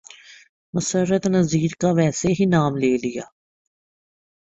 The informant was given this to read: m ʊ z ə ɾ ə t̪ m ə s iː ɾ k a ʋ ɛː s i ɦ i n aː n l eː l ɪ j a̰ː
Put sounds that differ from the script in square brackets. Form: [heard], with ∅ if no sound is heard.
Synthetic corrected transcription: m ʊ [s] ə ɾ ə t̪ [n] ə [z] iː ɾ k a ʋ ɛː s [e] ɦ i n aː [m] l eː l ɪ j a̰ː